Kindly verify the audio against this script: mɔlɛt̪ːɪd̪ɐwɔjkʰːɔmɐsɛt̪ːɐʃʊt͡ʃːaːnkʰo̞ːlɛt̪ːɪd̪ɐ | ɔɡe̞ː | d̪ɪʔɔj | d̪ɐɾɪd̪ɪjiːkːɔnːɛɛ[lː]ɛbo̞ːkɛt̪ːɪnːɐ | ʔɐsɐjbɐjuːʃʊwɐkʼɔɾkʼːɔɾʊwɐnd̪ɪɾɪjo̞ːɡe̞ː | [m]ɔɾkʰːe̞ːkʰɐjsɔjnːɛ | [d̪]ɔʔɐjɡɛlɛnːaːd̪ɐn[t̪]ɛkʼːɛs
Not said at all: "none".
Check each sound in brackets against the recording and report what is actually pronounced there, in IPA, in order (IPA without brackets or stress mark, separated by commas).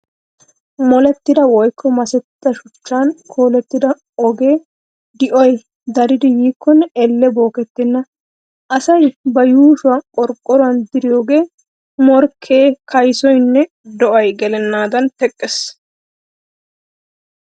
lː, m, d̪, t̪